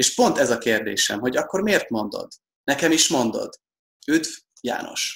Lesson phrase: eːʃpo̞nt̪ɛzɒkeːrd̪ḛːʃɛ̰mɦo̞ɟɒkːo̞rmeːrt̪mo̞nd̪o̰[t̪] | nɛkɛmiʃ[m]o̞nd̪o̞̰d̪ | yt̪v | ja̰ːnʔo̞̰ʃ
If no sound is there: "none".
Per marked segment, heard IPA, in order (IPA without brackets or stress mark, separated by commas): d̪, m